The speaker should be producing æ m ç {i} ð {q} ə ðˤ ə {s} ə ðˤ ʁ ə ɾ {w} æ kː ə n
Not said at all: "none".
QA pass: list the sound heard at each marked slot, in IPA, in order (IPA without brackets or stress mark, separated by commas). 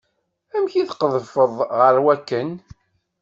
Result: i, q, f, w